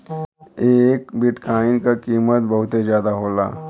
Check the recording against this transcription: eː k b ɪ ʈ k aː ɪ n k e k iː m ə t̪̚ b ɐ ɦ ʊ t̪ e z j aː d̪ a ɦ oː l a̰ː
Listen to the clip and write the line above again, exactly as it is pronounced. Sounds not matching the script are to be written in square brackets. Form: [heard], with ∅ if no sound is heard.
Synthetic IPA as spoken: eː k b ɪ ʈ k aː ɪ n k [a] k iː m ə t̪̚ b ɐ ɦ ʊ t̪ e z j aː d̪ a ɦ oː l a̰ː